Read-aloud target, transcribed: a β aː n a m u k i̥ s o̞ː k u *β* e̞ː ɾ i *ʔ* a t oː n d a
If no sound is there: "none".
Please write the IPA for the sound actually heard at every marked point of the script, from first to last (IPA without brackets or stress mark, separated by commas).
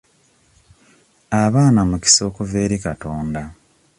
v, k